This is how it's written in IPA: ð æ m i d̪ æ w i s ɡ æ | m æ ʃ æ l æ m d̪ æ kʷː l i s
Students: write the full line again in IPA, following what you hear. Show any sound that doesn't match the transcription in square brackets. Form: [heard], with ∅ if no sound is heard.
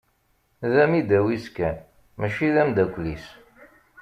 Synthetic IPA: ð æ m i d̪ æ w i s [k] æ | m æ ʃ [i] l æ m d̪ æ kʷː l i s